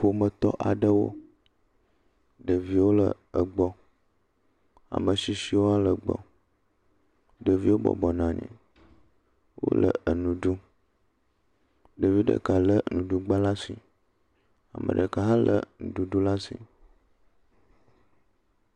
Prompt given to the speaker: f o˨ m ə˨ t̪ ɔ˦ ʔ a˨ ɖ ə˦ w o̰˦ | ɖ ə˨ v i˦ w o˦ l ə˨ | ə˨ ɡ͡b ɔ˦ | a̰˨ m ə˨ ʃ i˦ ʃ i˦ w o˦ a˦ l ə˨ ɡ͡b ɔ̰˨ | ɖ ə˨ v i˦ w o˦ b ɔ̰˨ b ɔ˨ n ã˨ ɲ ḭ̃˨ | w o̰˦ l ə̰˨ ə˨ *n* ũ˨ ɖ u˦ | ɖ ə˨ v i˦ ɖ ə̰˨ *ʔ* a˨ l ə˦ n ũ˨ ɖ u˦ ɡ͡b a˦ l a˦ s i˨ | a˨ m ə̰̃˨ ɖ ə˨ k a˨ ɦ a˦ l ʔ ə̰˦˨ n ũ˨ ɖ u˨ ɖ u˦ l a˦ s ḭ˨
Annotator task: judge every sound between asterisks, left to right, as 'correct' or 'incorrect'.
correct, incorrect: k

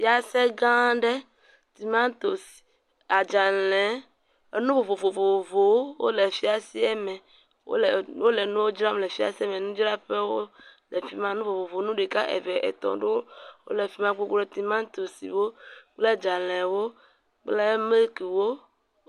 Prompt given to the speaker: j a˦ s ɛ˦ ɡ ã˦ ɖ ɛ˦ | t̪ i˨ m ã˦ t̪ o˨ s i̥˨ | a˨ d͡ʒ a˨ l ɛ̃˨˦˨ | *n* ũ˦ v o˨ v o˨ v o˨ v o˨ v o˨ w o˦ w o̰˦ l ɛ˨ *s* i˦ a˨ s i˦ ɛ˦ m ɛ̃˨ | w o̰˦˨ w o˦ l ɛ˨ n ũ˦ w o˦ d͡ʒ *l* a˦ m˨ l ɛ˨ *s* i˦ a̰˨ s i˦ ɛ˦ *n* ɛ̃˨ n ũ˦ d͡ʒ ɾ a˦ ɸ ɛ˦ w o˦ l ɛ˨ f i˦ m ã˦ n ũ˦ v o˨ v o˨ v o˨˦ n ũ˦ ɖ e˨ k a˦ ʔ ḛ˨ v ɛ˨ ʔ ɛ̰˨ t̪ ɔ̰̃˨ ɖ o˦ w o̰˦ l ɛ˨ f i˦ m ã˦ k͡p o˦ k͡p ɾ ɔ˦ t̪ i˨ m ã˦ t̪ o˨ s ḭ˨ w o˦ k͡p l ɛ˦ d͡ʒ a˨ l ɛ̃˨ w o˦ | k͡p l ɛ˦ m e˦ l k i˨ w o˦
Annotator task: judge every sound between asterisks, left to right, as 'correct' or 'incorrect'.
correct, incorrect: f, incorrect: ɾ, incorrect: f, incorrect: m

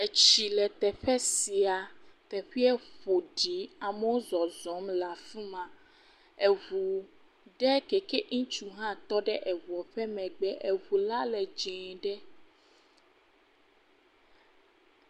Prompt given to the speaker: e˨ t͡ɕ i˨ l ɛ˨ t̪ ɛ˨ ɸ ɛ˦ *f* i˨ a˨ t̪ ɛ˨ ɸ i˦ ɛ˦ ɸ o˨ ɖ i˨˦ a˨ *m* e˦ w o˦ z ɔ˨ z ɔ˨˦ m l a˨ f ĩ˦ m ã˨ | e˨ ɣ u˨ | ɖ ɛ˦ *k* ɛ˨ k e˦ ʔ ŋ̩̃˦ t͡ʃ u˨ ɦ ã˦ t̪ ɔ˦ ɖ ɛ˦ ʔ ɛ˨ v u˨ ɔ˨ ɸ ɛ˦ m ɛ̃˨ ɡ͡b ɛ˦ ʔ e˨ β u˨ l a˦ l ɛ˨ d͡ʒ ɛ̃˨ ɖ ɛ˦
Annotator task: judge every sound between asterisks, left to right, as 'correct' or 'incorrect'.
incorrect: s, correct, correct

